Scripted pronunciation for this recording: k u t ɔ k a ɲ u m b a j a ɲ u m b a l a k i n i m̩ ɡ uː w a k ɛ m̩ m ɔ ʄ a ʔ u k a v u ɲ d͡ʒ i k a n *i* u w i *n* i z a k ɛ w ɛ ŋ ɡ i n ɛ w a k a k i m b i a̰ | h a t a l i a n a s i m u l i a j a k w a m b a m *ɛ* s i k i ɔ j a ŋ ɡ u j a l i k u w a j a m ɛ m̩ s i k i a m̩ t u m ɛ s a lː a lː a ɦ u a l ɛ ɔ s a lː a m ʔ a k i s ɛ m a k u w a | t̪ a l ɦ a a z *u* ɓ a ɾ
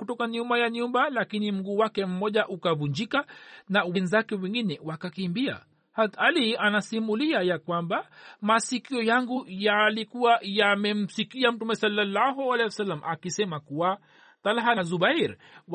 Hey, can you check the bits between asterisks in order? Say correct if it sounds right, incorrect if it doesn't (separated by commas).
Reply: incorrect, correct, incorrect, correct